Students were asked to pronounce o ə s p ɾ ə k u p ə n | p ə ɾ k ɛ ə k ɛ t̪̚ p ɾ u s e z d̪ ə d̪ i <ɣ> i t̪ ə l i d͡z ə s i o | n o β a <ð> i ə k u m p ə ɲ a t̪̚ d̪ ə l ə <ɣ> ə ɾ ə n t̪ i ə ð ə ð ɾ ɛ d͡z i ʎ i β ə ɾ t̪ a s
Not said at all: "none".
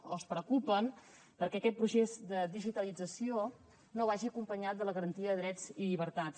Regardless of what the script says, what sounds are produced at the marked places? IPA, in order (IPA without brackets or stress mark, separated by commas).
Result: ʒ, ʒ, ɣ